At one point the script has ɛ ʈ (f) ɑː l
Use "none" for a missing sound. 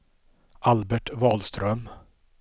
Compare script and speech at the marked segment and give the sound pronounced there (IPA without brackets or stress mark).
v